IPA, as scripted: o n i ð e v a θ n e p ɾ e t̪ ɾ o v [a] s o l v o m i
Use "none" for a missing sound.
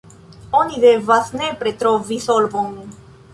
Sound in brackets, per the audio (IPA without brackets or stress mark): i